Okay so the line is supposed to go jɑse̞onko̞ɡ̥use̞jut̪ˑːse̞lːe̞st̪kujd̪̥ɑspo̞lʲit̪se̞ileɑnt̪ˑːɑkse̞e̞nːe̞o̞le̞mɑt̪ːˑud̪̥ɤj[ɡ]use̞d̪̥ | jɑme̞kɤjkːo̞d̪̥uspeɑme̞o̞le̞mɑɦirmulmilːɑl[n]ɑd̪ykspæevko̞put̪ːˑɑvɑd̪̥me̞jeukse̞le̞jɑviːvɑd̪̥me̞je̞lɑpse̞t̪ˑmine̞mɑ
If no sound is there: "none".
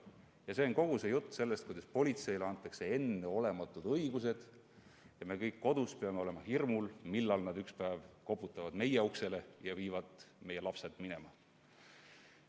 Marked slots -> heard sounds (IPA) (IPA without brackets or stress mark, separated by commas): ɡ, n